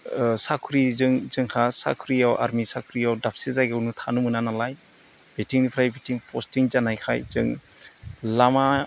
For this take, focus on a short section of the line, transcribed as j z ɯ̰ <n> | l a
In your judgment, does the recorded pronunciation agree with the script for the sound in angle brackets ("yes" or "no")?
no